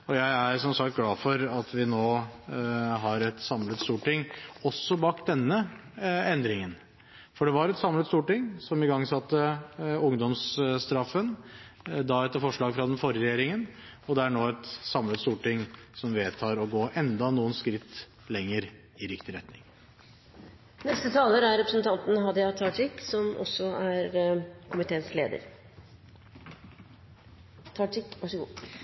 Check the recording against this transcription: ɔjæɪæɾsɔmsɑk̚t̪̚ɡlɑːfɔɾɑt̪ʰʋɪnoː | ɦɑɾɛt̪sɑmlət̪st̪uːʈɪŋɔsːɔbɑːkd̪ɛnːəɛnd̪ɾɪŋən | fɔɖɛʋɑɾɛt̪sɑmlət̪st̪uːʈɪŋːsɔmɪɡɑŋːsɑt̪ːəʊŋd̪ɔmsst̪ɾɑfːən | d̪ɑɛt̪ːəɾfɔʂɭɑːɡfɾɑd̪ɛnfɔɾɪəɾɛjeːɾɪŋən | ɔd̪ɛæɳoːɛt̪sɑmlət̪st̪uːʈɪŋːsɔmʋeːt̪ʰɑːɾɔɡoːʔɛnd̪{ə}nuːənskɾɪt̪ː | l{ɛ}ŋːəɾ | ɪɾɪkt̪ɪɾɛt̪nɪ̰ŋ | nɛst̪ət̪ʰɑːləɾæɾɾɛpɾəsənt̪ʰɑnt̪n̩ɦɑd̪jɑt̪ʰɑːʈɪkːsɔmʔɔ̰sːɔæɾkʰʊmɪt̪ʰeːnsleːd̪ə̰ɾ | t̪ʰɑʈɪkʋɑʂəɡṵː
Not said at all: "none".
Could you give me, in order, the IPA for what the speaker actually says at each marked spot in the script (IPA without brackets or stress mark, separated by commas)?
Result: ɑ, ɛ